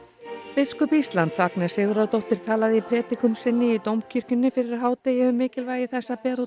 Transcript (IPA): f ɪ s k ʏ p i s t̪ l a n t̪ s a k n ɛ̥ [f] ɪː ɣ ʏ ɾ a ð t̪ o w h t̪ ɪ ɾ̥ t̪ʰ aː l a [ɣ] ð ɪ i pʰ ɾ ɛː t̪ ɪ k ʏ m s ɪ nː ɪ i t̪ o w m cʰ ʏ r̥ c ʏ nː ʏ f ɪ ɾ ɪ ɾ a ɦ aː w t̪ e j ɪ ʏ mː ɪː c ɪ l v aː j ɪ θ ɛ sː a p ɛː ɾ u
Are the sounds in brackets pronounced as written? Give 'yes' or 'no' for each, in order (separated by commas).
no, no